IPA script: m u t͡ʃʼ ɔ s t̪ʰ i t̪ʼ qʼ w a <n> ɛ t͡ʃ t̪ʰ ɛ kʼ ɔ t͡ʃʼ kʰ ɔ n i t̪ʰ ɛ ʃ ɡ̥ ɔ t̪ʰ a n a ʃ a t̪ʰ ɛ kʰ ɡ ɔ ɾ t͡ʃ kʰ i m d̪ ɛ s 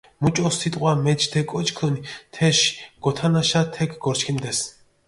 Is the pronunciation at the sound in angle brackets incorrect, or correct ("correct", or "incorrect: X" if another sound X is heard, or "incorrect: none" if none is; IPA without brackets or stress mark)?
incorrect: m